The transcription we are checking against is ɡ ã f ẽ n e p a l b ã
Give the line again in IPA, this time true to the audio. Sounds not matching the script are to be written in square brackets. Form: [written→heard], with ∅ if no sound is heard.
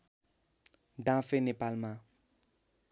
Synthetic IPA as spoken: [ɡ→d] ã f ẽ n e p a l [b→m] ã